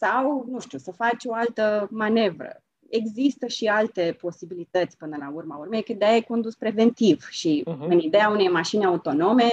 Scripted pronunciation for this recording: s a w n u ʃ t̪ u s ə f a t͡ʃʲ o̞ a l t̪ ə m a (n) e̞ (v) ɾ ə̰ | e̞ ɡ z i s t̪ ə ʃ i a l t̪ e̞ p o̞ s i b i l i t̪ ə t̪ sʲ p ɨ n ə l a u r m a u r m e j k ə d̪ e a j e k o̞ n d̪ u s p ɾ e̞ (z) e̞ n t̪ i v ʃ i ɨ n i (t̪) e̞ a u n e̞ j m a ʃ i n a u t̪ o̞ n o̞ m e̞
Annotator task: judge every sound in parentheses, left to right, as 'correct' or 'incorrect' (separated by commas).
correct, correct, incorrect, incorrect